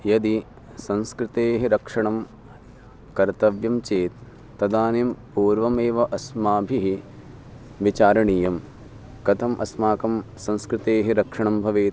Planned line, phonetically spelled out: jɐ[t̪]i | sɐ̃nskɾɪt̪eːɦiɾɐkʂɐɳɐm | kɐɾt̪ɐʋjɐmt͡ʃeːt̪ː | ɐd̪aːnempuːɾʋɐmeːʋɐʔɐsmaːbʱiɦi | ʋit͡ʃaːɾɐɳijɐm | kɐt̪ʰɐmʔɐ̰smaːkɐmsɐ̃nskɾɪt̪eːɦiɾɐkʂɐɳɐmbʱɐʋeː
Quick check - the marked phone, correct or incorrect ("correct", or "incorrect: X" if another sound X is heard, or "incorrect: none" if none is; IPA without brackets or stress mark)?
incorrect: d̪